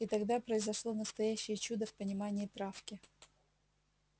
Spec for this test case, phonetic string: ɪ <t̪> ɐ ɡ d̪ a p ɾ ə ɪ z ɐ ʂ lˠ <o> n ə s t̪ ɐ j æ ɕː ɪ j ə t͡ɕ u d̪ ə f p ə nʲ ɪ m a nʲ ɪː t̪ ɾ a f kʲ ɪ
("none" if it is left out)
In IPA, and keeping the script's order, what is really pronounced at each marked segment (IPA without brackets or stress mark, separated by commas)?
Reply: t̪, o